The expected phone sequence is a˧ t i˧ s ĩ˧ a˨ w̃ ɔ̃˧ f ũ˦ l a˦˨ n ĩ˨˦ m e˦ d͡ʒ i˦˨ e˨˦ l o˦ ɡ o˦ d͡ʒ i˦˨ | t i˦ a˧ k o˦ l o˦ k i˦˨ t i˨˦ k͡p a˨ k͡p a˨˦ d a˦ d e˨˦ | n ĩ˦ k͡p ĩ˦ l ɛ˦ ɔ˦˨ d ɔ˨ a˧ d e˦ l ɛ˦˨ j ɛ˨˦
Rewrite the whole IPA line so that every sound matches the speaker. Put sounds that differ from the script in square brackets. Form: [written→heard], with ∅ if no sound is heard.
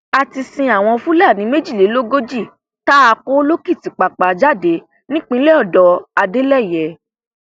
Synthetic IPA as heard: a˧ t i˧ s ĩ˧ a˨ w̃ ɔ̃˧ f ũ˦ l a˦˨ n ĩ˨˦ m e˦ d͡ʒ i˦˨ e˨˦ l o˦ ɡ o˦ d͡ʒ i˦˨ | t [i˦→a˦] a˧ k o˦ l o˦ k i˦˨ t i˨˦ k͡p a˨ k͡p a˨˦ [d→d͡ʒ] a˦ d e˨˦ | n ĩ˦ k͡p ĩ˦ l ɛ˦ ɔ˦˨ d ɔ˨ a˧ d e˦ l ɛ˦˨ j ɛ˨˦